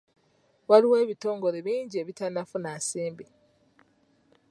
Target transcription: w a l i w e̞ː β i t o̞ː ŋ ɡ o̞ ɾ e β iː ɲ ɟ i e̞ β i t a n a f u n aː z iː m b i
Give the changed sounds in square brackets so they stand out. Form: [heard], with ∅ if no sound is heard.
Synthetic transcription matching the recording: w a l i w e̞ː β i t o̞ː ŋ ɡ o̞ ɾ e β iː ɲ ɟ i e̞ β i t a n a f u n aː [s] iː m b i